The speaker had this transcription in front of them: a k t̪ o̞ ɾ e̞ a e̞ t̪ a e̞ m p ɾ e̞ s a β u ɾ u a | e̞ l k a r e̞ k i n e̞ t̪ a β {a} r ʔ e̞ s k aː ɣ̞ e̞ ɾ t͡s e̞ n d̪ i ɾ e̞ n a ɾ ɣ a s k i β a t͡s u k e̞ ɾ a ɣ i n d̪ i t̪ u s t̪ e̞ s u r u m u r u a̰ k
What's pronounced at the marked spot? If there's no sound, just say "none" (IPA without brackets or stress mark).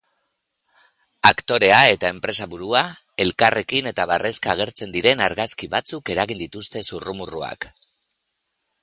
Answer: a